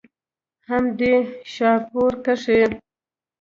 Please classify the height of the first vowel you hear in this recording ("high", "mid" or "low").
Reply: low